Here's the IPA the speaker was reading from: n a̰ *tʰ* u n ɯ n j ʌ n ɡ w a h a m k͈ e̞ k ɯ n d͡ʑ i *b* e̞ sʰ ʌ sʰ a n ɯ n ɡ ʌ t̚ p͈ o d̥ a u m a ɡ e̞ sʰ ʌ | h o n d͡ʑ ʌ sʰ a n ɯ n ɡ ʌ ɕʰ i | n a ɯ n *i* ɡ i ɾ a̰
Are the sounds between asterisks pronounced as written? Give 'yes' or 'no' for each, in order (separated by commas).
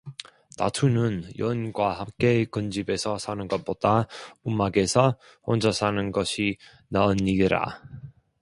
yes, yes, yes